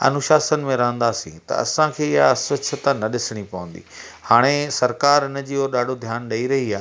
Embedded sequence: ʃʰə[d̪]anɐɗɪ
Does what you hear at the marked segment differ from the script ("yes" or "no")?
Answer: yes